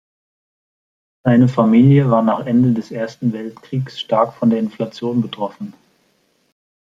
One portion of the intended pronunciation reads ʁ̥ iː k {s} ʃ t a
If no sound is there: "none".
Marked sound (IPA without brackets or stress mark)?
s